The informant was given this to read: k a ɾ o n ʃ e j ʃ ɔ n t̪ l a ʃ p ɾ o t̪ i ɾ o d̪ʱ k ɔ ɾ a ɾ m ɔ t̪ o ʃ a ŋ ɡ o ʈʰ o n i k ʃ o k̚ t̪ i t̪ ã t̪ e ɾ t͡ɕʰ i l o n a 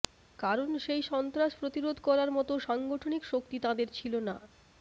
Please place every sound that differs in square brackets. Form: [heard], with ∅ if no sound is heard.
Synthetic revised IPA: k a ɾ o n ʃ e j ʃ ɔ n t̪ [ɾ] a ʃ p ɾ o t̪ i ɾ o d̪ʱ k ɔ ɾ a ɾ m ɔ t̪ o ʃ a ŋ ɡ o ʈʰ o n i k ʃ o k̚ t̪ i t̪ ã [d̪] e ɾ t͡ɕʰ i l o n a